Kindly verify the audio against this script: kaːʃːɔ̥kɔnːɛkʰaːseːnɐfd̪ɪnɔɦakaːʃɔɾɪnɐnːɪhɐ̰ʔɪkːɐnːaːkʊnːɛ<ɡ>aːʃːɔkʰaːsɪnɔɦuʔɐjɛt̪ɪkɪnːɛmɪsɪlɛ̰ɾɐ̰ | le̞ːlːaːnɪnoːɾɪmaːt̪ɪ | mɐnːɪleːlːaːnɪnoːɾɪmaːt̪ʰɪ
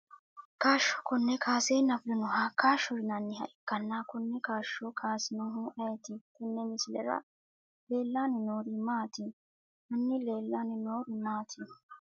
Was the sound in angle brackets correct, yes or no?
no